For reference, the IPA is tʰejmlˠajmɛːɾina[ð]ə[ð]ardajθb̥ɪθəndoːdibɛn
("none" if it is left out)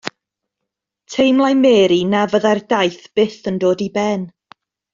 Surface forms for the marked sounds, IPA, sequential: v, ð

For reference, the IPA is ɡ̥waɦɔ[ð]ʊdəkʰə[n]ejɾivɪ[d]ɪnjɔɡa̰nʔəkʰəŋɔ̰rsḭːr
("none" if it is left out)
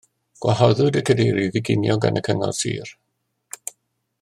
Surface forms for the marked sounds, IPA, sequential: ð, d, ɡ

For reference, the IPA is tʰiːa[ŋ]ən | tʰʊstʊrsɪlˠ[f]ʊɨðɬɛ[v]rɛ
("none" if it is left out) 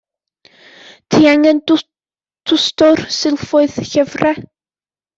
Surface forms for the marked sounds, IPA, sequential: ŋ, f, v

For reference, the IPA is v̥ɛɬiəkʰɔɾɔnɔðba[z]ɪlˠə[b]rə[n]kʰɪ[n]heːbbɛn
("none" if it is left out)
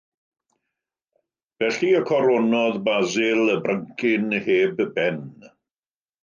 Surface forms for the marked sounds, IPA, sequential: z, b, ŋ, n

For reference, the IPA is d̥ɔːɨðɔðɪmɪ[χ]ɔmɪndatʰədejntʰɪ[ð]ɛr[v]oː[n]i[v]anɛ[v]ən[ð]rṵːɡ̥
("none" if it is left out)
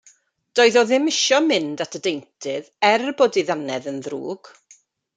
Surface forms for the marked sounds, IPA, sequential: ʃ, ð, b, d, ð, ð, ð

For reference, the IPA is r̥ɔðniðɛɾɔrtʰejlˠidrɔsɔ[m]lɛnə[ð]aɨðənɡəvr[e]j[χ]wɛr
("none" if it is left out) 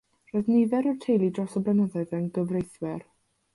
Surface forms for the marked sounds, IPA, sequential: b, ð, e, θ

